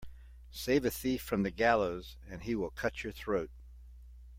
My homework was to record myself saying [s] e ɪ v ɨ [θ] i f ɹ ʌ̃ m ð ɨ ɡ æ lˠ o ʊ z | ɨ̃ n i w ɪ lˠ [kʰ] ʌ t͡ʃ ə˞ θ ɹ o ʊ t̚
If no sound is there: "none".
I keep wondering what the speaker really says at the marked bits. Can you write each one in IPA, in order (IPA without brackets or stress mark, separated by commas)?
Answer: s, θ, kʰ